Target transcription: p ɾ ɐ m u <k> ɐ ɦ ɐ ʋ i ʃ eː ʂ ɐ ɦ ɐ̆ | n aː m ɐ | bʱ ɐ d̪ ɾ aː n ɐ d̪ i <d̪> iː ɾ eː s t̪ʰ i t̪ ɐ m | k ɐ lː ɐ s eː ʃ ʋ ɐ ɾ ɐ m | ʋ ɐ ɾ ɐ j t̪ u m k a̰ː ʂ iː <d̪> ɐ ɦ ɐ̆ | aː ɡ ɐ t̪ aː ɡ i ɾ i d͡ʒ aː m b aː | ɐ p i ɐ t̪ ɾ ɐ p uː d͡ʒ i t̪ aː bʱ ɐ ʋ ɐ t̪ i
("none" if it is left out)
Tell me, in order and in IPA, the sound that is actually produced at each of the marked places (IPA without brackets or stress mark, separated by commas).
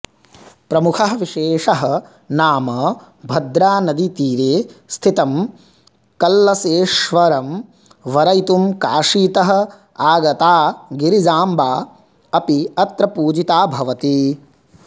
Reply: kʰ, t̪, t̪